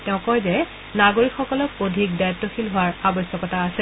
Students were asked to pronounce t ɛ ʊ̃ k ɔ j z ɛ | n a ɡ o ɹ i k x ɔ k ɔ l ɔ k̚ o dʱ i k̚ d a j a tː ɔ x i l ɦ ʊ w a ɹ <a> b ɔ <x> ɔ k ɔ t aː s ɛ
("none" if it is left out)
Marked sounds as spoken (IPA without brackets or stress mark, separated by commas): a, s